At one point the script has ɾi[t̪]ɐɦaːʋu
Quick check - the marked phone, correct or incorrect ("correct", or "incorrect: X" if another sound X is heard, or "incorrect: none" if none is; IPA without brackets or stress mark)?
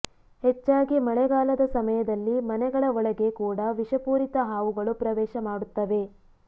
correct